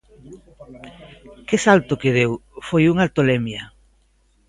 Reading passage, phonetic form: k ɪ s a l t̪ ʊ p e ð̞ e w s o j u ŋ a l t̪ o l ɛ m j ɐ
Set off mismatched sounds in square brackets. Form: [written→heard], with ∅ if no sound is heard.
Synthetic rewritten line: k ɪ s a l t̪ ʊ [p→k] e ð̞ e w [s→f] o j u ŋ a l t̪ o l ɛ m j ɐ